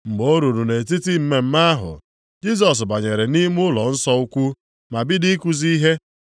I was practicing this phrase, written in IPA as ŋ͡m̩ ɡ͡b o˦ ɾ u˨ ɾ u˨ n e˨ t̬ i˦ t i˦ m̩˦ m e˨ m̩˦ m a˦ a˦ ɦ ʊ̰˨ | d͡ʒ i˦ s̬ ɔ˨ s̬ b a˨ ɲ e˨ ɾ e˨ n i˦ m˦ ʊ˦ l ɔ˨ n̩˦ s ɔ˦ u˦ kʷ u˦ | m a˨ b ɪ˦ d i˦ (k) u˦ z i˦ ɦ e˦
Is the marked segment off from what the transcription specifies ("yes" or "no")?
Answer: no